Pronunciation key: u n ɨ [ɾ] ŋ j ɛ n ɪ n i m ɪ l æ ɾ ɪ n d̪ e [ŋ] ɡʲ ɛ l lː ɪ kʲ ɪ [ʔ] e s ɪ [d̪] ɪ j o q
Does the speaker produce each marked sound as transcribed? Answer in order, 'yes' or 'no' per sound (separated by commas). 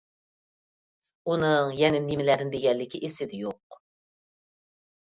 no, no, yes, yes